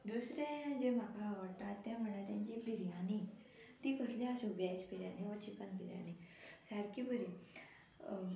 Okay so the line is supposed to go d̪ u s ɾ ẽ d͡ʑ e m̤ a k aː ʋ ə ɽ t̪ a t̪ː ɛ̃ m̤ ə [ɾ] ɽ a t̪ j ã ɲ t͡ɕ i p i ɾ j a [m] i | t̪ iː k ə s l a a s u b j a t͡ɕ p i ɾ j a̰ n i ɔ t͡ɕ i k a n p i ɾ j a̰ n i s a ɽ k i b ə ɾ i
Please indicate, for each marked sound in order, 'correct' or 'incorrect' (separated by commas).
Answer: incorrect, incorrect